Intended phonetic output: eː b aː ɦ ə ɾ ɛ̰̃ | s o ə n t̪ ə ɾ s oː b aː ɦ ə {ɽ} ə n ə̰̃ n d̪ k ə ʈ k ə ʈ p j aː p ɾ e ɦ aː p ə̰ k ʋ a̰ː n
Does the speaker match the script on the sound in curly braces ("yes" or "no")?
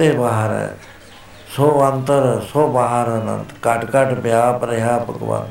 no